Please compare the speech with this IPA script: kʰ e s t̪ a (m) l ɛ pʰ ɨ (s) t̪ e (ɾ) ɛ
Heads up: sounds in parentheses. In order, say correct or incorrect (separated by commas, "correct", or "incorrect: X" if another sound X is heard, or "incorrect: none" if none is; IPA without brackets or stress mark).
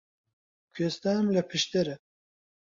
correct, incorrect: ʃ, correct